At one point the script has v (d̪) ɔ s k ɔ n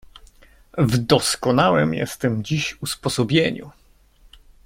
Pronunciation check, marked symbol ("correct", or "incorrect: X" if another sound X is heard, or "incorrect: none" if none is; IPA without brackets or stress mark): correct